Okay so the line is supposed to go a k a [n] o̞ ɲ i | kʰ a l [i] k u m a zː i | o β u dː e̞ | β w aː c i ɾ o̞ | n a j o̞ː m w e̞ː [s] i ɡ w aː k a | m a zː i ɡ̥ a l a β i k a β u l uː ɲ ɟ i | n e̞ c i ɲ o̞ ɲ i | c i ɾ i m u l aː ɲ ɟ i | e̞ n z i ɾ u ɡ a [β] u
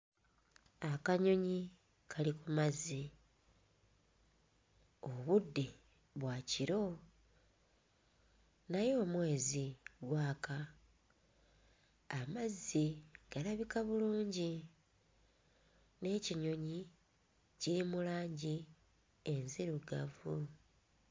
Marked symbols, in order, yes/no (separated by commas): no, yes, no, no